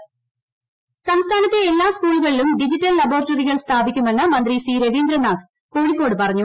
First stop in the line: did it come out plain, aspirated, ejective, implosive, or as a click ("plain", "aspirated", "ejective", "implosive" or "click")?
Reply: aspirated